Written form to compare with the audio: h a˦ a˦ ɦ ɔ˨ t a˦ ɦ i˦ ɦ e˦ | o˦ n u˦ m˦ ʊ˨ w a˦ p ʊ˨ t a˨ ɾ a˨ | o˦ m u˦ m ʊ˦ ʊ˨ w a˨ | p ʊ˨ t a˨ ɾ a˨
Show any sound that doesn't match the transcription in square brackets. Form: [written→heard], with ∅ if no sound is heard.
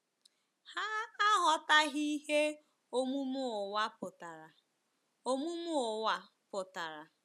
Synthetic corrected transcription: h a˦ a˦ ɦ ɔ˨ t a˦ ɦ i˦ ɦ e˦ | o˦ [n→m] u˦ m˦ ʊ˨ w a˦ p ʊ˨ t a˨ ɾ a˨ | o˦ m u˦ m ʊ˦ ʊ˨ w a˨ | p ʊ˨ t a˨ ɾ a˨

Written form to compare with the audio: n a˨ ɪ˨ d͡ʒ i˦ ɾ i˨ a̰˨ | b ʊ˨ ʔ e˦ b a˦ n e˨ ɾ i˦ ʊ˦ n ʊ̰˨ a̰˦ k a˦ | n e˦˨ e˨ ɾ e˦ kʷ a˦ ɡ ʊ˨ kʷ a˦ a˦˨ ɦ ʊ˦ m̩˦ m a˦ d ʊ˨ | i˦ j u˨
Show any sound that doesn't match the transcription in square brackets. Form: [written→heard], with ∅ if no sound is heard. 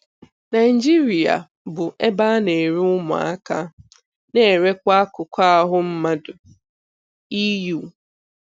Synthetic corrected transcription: n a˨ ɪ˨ d͡ʒ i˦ ɾ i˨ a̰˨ | b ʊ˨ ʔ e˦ b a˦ n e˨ ɾ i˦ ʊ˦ [n→m] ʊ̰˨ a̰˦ k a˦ | n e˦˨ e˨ ɾ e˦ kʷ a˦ [ɡ→k] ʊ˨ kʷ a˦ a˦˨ ɦ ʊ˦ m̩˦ m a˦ d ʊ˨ | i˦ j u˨

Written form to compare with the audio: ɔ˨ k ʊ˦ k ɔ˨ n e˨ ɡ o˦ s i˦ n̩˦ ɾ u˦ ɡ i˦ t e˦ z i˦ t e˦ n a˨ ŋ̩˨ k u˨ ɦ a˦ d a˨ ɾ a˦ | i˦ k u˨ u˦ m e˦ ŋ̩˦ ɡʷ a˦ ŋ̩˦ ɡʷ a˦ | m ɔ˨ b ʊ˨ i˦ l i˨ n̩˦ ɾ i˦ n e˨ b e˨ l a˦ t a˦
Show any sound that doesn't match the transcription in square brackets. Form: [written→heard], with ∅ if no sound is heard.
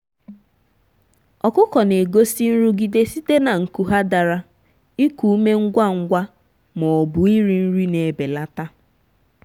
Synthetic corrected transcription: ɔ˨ k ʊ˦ k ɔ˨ n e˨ ɡ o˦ s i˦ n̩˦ ɾ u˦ ɡ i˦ [t→d] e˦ [z→s] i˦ t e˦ n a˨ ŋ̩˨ k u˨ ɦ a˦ d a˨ ɾ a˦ | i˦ k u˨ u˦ m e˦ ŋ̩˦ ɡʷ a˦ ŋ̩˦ ɡʷ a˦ | m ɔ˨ b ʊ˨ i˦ [l→ɾ] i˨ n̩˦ ɾ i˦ n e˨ b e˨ l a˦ t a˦

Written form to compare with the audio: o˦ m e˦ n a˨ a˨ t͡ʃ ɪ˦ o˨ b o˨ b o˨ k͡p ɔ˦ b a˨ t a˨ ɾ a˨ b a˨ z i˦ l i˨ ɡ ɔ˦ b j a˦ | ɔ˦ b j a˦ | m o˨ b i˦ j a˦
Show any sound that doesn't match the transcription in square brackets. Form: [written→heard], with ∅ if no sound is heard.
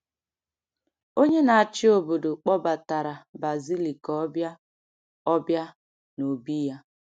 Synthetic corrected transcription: o˦ [m→ɲ] e˦ n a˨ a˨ t͡ʃ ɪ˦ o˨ b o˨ [b→d] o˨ k͡p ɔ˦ b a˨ t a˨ ɾ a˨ b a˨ z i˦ l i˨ [ɡ→k] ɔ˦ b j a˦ | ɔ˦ b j a˦ | [m→n] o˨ b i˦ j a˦

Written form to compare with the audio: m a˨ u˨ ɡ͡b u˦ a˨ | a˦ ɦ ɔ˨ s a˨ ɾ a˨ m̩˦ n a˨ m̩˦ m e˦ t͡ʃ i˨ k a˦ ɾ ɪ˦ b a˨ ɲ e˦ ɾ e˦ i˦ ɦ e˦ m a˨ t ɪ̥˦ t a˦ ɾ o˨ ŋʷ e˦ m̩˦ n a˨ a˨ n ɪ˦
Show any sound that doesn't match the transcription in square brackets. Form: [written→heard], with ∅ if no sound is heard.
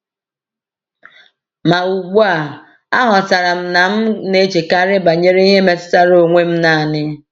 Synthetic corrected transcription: m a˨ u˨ ɡ͡b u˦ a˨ | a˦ ɦ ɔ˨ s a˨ ɾ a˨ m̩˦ n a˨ m̩˦ [m→n] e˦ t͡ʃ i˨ k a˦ ɾ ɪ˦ b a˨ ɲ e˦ ɾ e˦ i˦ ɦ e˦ m [a˨→e˨] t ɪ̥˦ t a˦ ɾ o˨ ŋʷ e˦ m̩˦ n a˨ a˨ n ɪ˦

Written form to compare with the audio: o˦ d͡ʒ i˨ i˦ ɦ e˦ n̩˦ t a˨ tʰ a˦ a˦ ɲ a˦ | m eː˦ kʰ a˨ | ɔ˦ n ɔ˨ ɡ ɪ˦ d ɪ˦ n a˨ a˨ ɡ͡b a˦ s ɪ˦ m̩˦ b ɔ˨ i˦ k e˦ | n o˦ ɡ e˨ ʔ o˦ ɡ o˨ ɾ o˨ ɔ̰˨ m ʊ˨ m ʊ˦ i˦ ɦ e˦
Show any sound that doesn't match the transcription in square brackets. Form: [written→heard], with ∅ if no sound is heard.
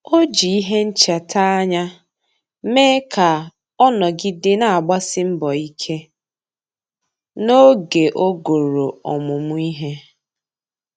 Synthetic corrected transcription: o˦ d͡ʒ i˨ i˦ ɦ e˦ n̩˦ [t→t͡ʃ] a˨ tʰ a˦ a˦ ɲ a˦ | m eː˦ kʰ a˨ | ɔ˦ n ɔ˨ ɡ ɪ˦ d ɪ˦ n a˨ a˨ ɡ͡b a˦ s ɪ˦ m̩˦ b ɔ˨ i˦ [k→kʰ] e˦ | n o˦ ɡ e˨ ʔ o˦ ɡ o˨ ɾ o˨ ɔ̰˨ m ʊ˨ m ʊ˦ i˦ ɦ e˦

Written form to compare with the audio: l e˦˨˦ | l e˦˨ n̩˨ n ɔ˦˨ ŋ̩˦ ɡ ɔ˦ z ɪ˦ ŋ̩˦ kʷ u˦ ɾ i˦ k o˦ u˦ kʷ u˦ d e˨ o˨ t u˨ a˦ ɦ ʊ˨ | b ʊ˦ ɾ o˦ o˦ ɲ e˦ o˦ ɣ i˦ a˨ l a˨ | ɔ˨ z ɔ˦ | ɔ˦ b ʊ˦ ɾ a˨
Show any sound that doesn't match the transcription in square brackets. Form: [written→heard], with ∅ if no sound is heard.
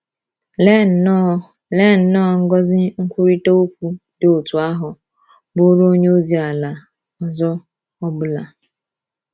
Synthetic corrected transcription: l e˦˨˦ | l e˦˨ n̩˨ n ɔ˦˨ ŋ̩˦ ɡ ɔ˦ z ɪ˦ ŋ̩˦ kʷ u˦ ɾ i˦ [k→t] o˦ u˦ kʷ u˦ d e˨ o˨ t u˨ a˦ ɦ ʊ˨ | b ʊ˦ ɾ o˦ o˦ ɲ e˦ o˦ [ɣ→z] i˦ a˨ l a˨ | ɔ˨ z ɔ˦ | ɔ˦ b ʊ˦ [ɾ→l] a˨

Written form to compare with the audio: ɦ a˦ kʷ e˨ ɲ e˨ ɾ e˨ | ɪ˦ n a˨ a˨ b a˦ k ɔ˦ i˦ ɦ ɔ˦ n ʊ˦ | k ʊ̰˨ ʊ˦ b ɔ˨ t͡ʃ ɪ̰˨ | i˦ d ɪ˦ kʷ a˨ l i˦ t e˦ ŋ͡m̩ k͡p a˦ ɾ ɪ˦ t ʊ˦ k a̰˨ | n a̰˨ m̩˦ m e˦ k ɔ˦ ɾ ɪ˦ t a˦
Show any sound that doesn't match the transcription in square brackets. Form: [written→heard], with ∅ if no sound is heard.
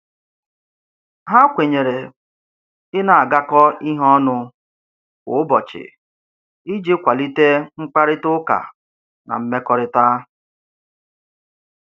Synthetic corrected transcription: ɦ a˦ kʷ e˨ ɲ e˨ ɾ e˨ | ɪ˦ n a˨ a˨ [b→ɡ] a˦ k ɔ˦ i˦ ɦ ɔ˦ n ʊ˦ | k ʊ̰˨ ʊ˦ b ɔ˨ t͡ʃ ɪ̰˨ | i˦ [d→d͡ʒ] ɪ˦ kʷ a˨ l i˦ t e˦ ŋ͡m̩ k͡p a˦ ɾ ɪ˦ t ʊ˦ k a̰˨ | n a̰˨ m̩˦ m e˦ k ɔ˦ ɾ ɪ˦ t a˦

